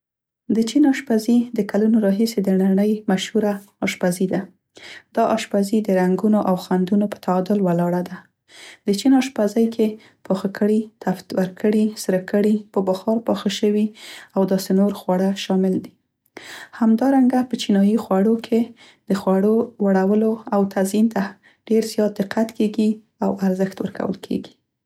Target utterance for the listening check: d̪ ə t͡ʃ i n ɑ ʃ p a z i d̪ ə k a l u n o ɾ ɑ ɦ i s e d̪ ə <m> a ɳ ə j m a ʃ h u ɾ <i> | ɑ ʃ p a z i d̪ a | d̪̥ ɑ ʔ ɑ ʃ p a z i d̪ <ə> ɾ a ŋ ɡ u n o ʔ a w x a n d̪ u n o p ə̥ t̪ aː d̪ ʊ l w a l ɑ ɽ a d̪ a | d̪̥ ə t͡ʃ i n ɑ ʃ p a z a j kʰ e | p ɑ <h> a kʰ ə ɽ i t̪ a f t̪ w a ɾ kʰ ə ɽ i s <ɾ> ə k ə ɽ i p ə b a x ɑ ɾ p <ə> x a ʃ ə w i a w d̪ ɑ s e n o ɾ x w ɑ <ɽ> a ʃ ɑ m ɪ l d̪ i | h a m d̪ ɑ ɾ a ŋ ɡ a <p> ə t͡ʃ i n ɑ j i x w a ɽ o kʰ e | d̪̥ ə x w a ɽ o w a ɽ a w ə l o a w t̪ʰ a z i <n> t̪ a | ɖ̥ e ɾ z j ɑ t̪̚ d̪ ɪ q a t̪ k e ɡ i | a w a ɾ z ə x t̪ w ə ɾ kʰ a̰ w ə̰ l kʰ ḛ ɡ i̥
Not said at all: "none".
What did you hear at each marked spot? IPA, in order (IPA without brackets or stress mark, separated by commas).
n, a, ə, x, ɾ, ɑ, ɽ, p, n